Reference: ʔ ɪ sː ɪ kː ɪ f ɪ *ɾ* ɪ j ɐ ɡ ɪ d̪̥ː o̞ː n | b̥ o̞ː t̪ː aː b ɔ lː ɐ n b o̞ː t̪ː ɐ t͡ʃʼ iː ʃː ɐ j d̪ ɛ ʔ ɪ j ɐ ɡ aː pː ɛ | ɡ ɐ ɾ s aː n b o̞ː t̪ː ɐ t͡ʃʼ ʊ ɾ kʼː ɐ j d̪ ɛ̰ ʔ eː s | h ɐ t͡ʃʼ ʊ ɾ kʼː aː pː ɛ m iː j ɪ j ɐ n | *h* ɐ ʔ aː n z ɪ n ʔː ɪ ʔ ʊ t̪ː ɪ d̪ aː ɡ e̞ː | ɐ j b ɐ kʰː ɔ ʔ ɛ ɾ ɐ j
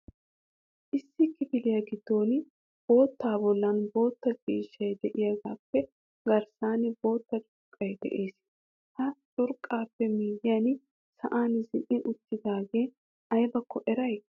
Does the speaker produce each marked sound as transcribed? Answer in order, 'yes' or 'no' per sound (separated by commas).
no, no